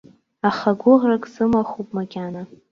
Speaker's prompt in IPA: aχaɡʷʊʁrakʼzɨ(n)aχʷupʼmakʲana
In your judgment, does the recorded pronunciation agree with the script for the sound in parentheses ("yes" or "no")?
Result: no